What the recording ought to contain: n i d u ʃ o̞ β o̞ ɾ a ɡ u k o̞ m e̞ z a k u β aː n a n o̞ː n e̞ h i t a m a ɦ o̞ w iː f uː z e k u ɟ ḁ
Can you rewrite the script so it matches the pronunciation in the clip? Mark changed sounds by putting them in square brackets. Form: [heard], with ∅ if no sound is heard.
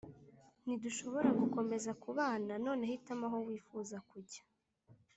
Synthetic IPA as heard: n i d u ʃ o̞ β o̞ ɾ a ɡ u k o̞ m e̞ z a k u β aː n a n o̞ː n e̞ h i t a m a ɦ o̞ w iː f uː z [a] k u ɟ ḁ